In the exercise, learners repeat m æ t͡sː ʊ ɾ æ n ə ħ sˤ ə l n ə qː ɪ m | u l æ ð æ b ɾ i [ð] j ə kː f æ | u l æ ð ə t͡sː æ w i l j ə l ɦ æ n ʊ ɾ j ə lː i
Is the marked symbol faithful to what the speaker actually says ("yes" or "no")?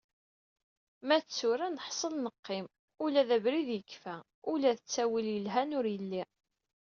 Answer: yes